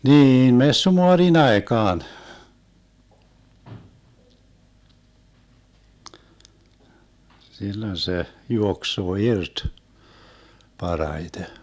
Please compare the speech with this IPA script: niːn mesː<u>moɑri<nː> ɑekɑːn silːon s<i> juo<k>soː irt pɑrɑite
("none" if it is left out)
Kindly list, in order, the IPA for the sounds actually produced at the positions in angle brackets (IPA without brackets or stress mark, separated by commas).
u, n, e, k